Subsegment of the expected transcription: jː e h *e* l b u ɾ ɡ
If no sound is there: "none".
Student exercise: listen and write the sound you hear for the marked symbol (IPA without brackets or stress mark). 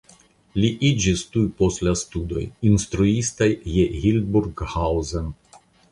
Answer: i